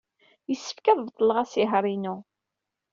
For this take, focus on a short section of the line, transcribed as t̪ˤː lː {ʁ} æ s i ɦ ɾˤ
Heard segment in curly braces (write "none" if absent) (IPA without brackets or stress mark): ʁ